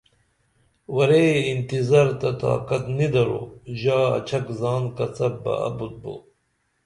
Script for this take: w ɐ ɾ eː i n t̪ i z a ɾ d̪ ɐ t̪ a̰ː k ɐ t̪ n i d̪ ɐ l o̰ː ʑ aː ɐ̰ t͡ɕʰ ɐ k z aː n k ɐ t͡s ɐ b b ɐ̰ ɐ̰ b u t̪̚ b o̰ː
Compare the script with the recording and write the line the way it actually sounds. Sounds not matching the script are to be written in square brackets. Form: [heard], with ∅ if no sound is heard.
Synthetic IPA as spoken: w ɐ ɾ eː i n t̪ i z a ɾ [t̪] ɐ t̪ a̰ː k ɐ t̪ n i d̪ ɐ [ɾ] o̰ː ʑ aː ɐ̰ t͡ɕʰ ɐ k z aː n k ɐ t͡s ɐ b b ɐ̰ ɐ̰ b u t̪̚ b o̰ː